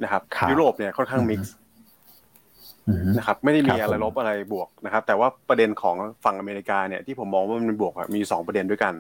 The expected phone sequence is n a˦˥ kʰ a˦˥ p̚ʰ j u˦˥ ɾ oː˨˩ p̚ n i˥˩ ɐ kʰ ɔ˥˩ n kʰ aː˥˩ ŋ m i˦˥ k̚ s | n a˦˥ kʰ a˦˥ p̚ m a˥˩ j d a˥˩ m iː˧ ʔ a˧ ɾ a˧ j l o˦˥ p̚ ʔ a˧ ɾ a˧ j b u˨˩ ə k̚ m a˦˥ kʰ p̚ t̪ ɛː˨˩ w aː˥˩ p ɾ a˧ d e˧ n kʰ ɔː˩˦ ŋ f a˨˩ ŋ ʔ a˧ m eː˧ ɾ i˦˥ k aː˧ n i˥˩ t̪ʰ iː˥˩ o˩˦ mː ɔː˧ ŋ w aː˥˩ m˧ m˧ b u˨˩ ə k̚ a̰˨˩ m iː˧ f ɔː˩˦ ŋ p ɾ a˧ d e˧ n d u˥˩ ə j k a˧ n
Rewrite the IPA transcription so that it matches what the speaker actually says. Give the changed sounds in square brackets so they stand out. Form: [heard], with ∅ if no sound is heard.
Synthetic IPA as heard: n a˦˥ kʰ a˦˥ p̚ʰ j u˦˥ ɾ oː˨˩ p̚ n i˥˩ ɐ kʰ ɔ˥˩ n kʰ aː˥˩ ŋ m i˦˥ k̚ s | n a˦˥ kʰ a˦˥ p̚ m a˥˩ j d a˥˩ m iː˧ ʔ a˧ ɾ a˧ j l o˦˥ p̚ ʔ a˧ ɾ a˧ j b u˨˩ ə k̚ [n] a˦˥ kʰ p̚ t̪ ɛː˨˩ w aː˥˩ p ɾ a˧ d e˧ n kʰ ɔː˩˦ ŋ f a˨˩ ŋ ʔ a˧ m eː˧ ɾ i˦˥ k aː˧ n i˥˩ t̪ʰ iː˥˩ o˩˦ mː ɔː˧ ŋ w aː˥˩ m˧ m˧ b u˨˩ ə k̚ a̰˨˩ m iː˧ [s] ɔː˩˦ ŋ p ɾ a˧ d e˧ n d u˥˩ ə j k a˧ n